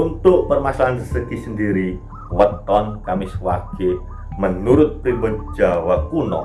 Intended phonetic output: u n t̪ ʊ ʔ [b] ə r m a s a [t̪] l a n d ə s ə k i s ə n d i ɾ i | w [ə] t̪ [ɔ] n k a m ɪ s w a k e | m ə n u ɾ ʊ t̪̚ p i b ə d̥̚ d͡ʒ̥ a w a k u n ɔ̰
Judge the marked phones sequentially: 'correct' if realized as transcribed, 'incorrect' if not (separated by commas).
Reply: incorrect, incorrect, correct, correct